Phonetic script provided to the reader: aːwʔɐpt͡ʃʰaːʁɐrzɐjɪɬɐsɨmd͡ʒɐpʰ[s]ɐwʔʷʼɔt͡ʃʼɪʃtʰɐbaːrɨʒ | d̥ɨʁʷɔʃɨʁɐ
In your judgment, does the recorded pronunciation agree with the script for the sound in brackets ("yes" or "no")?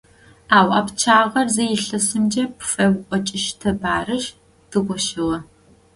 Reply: no